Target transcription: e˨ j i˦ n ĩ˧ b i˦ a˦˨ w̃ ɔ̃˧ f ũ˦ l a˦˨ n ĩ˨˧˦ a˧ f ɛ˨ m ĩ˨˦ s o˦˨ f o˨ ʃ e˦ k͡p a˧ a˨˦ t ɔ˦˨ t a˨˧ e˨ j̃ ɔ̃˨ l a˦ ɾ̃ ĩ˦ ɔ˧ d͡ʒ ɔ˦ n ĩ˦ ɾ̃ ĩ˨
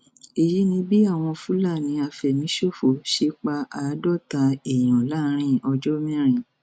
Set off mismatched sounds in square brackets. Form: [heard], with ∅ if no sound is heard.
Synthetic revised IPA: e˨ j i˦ n ĩ˧ b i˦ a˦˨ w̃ ɔ̃˧ f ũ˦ l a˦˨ n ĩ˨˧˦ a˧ f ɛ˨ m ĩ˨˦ [ʃ] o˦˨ f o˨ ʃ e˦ k͡p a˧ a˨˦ [d] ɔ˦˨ t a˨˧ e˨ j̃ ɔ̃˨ l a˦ ɾ̃ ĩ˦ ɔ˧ d͡ʒ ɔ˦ [m] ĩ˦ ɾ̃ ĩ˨